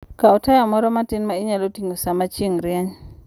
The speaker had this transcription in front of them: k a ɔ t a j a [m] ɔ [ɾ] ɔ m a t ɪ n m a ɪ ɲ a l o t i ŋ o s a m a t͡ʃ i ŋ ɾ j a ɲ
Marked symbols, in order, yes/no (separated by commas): yes, yes